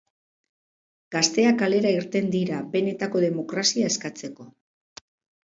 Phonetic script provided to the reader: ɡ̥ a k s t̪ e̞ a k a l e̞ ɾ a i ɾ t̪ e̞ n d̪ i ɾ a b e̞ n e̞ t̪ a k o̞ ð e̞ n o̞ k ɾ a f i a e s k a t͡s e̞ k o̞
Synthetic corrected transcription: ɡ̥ a s t̪ e̞ a k a l e̞ ɾ a i ɾ t̪ e̞ n d̪ i ɾ a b e̞ n e̞ t̪ a k o̞ ð e̞ m o̞ k ɾ a s i a e s k a t͡s e̞ k o̞